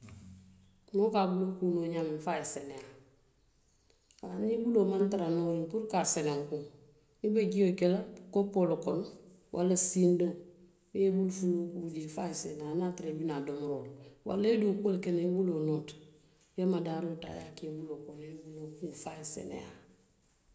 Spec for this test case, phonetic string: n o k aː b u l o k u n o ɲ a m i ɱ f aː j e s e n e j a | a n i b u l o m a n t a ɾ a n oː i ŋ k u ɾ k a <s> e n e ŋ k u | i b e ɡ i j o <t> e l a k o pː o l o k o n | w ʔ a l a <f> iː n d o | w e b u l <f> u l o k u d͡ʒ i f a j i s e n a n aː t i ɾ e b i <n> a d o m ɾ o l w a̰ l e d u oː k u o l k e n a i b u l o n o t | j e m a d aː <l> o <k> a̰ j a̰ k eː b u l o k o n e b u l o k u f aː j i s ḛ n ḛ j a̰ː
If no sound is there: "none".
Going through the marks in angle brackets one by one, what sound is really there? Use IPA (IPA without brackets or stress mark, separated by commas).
s, k, s, f, n, ɾ, t